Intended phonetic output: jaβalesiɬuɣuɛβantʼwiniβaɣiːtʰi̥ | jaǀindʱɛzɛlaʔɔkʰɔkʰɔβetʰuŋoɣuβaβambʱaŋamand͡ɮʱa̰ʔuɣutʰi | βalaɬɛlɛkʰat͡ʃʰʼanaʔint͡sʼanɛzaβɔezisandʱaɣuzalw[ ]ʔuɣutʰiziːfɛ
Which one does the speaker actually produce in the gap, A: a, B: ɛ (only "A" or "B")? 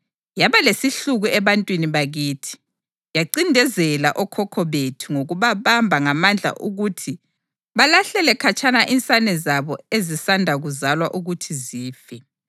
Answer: A